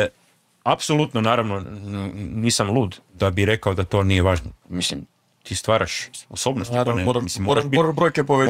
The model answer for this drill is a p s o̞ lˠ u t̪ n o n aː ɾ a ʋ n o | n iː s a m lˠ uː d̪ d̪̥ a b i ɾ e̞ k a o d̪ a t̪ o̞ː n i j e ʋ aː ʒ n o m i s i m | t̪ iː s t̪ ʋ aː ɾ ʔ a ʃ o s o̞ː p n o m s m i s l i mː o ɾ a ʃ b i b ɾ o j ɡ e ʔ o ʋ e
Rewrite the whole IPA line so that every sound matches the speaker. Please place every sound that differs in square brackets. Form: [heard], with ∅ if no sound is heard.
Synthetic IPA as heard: a p s o̞ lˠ u t̪ n o n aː ɾ a ʋ n o | n iː s a m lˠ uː d̪ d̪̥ a b i ɾ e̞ k a o d̪ a t̪ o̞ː n i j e ʋ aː ʒ n o m i s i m | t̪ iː s t̪ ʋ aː ɾ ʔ a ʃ o s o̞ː [b] n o [∅] s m i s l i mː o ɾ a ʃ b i b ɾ o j [k] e [p] o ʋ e